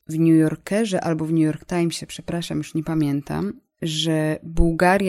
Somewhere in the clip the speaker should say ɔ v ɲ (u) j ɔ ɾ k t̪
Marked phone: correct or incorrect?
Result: correct